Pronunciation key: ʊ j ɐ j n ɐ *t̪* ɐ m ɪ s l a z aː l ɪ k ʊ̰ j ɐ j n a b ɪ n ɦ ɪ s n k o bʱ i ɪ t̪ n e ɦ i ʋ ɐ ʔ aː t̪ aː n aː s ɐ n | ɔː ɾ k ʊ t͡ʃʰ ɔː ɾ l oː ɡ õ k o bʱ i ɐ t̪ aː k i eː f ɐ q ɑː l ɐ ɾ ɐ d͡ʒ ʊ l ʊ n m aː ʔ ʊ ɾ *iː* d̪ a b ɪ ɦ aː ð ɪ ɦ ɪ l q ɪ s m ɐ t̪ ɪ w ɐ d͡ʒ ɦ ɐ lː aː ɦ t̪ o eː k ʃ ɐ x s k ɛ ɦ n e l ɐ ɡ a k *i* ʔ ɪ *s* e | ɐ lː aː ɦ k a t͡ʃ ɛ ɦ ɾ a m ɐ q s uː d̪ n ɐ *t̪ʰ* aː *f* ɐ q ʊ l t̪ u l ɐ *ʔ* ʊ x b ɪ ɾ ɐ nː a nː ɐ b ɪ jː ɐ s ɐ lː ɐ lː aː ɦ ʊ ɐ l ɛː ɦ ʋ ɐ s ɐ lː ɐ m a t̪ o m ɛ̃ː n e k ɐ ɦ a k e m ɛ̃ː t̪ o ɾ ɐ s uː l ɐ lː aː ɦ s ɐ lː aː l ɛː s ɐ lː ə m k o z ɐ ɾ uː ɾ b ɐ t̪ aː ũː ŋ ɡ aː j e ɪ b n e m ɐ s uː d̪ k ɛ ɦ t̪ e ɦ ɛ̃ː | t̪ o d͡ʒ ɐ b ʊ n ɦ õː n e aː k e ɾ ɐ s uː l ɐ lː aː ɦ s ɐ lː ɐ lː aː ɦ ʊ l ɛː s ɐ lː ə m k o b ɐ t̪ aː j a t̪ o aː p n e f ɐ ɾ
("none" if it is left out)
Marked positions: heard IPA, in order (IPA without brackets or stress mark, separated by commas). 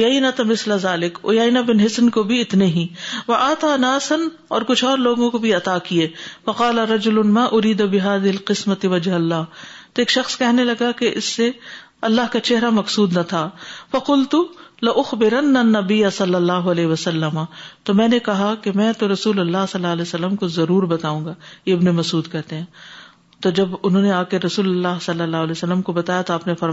t̪, iː, e, sː, t̪ʰ, f, ʔ